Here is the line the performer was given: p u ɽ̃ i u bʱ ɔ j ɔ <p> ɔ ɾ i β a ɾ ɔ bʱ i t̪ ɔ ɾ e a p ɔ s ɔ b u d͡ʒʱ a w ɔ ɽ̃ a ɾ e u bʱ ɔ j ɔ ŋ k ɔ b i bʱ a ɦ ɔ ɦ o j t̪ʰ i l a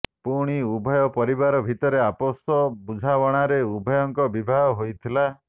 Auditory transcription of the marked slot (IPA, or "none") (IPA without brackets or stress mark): p